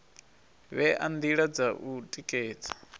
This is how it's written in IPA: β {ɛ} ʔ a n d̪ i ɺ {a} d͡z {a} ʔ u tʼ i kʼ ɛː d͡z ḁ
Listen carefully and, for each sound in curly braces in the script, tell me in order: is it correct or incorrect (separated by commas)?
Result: correct, correct, correct